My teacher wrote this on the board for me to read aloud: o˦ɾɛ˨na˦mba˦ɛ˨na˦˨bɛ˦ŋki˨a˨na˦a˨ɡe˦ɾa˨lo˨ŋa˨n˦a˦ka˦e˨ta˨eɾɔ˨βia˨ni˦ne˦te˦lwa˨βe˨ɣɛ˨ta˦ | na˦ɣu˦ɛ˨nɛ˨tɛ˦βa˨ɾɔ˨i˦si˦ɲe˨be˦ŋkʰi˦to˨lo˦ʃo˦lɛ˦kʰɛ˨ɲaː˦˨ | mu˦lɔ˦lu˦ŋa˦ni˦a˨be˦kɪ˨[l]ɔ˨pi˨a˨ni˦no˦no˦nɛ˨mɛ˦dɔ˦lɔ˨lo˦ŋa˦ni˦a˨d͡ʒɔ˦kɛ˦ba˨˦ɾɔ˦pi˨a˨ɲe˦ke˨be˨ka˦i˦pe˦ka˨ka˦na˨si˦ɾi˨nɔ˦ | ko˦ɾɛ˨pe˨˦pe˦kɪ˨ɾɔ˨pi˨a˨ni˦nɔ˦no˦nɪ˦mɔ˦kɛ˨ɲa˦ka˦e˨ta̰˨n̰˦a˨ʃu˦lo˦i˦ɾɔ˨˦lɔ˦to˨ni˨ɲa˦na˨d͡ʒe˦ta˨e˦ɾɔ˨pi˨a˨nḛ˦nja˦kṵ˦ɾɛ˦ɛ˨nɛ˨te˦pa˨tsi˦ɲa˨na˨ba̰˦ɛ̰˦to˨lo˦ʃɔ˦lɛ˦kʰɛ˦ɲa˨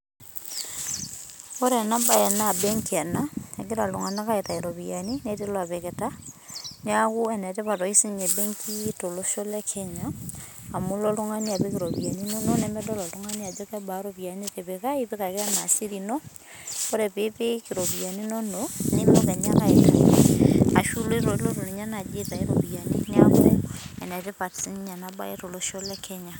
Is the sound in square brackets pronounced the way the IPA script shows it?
no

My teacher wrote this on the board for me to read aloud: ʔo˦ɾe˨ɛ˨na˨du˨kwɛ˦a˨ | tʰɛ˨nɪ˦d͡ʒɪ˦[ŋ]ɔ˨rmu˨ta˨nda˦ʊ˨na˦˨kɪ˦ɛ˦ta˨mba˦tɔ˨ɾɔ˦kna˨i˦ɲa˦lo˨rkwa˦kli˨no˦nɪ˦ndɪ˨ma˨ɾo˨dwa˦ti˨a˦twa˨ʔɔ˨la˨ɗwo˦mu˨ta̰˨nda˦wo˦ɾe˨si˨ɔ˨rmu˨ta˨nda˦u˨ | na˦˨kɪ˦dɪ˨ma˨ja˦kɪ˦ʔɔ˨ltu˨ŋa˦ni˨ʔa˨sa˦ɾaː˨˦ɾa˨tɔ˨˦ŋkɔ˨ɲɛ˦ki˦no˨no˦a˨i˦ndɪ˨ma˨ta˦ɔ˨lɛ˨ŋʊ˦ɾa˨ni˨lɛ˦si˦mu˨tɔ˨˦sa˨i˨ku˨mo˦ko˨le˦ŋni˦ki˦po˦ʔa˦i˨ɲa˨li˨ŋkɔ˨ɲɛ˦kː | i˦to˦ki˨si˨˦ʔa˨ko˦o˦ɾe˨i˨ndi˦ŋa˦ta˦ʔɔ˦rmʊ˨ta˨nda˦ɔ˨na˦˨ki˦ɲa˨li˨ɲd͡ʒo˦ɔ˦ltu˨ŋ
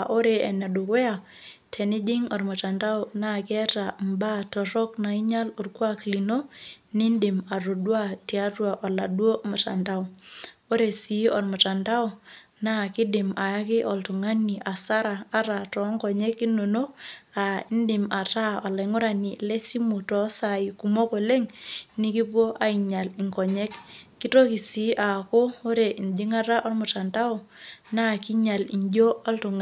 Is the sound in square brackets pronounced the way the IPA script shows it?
yes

